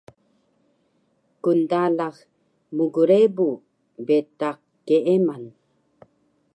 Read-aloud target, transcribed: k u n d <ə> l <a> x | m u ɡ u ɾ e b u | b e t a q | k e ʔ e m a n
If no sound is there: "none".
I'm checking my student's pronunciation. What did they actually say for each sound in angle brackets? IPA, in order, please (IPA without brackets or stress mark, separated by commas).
a, a